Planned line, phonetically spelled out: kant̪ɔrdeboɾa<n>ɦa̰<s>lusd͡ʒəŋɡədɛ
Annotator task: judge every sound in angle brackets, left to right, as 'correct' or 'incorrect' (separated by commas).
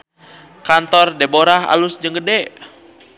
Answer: incorrect, incorrect